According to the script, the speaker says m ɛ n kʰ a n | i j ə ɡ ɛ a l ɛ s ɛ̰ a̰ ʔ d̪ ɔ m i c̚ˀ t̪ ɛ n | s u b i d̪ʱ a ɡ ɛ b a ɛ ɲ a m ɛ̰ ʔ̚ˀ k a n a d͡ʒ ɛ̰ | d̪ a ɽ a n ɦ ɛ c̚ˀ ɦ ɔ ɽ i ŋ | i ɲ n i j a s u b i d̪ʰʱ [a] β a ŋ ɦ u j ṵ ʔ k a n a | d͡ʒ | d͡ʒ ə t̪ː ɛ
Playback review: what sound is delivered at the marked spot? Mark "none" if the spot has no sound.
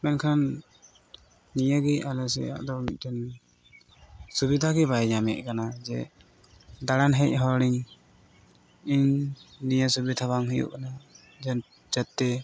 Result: a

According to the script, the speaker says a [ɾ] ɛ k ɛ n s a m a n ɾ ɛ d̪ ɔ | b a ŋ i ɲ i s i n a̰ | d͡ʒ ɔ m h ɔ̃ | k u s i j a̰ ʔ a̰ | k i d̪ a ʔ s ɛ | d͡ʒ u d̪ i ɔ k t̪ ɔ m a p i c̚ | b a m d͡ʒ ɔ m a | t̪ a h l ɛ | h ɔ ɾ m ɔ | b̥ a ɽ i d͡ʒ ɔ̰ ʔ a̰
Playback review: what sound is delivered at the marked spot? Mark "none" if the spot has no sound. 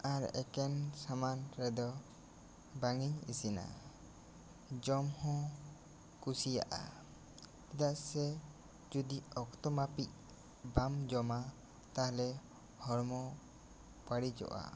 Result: ɾ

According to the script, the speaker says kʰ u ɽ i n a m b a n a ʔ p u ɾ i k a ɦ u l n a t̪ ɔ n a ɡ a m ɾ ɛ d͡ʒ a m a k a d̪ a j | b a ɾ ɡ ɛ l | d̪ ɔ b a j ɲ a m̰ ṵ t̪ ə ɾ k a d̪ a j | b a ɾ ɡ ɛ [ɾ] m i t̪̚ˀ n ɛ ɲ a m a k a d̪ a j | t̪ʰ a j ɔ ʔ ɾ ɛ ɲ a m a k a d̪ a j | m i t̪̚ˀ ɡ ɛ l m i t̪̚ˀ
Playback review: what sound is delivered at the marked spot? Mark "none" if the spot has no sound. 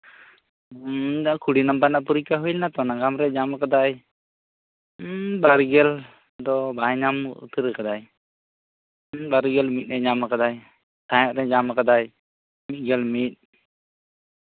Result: l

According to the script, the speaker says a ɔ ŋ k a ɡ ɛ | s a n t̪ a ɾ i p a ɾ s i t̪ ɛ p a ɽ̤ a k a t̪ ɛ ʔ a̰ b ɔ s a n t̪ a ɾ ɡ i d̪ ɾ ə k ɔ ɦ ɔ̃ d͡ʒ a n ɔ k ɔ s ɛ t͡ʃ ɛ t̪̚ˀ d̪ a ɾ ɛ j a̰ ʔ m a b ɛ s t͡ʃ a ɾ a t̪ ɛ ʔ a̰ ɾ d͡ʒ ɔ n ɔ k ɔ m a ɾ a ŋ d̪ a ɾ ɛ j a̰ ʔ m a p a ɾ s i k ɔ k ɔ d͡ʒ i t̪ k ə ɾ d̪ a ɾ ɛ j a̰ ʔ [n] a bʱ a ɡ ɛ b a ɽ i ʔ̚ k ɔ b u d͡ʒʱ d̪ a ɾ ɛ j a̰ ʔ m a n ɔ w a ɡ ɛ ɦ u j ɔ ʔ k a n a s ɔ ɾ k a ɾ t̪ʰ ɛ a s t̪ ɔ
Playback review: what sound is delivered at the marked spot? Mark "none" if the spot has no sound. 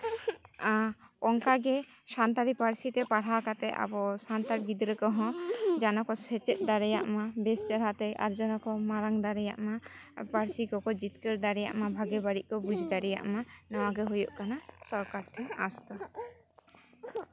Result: m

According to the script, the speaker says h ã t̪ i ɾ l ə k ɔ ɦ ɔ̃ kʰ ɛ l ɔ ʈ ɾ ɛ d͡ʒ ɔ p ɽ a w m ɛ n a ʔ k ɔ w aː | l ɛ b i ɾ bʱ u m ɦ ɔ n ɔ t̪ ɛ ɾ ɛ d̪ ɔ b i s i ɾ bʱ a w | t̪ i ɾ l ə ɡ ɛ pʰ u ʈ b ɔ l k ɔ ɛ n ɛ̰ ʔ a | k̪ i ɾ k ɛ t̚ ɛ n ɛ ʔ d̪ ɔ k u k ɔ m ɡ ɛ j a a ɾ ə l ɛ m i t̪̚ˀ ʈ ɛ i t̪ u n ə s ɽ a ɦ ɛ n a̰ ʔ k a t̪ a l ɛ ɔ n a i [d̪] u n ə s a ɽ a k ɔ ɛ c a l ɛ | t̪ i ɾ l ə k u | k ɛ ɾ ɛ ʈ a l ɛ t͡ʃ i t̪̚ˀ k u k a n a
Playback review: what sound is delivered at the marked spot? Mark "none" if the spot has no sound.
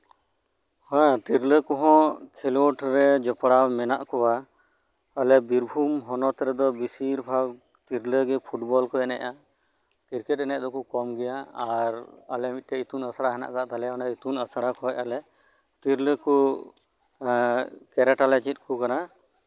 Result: t̪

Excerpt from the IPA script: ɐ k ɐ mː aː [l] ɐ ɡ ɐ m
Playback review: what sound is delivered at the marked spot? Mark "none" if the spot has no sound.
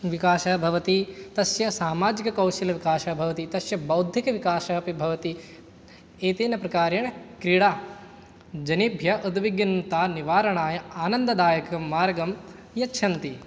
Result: ɾ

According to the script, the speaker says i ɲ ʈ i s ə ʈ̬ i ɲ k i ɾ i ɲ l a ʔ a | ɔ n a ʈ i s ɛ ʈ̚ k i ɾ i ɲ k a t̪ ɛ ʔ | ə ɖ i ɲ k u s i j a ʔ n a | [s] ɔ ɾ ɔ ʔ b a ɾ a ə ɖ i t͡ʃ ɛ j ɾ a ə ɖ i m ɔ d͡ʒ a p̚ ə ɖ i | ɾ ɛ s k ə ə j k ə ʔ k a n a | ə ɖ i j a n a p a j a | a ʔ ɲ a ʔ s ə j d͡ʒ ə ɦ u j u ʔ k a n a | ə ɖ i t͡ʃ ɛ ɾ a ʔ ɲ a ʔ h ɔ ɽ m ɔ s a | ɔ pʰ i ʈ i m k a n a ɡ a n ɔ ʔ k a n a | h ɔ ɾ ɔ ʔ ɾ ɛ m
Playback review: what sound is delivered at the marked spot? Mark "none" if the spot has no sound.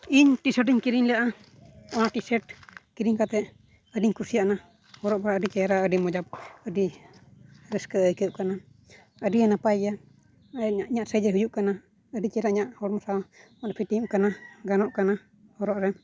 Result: h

